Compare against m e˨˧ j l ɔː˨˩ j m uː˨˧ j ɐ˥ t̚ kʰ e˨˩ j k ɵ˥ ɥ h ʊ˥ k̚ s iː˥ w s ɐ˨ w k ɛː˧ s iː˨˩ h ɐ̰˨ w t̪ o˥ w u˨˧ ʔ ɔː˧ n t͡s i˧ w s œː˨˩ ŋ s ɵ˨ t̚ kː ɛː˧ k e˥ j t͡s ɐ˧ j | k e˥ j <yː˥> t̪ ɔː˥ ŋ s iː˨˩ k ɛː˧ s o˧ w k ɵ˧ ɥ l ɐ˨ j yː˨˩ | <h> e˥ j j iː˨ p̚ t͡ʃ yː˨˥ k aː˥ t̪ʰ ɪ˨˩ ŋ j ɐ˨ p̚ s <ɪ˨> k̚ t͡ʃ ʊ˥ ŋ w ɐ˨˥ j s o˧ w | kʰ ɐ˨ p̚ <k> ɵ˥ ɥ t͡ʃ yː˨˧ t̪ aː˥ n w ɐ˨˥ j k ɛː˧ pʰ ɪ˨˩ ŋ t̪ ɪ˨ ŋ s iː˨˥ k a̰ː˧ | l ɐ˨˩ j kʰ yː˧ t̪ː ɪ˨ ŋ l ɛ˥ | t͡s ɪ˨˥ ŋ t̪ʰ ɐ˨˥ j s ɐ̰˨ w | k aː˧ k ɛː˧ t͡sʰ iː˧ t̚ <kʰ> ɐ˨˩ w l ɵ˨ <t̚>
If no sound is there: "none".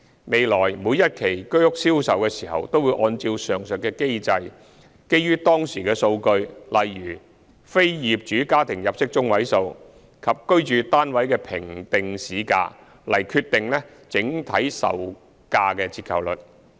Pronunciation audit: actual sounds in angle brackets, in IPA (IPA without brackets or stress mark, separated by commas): yː˥, f, ɪ˥, k, kʰ, t̚